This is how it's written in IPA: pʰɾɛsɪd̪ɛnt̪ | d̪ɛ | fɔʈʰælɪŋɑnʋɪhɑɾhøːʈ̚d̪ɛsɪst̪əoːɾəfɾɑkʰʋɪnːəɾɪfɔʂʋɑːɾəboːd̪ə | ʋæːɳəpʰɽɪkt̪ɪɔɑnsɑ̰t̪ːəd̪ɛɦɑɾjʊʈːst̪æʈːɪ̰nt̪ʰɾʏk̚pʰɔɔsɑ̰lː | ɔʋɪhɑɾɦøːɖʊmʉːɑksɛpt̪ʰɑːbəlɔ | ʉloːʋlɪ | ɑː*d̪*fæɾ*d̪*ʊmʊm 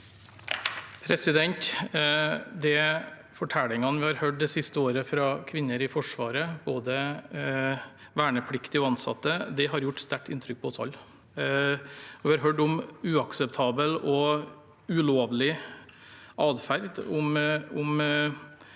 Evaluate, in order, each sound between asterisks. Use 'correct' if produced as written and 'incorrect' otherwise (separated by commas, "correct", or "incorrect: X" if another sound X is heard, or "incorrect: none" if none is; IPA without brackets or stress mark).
correct, correct